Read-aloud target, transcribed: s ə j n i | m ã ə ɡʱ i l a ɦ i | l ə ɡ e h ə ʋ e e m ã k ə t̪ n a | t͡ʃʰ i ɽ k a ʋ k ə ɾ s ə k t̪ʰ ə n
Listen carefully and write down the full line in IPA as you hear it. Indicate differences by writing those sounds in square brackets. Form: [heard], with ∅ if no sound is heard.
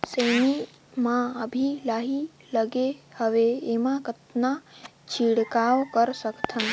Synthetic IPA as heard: s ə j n i | m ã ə [bʱ] i l a ɦ i | l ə ɡ e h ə ʋ e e m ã k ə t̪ n a | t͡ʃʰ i ɽ k a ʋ k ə ɾ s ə k t̪ʰ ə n